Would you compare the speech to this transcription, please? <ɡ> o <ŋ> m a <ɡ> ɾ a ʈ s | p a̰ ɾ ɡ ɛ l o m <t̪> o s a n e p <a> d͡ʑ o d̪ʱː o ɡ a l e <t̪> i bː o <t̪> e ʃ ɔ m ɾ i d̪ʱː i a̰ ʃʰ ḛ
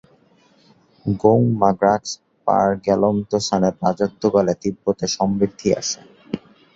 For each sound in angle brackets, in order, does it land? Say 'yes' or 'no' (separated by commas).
yes, yes, yes, yes, yes, yes, yes